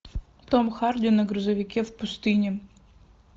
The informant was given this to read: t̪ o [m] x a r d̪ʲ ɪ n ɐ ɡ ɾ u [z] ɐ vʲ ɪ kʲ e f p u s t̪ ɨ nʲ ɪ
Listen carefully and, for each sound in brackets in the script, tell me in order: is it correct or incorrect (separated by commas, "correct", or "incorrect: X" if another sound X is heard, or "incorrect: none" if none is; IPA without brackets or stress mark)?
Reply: correct, correct